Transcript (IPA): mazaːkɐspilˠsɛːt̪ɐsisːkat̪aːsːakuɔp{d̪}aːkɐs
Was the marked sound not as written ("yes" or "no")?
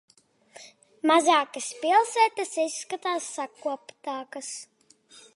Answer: yes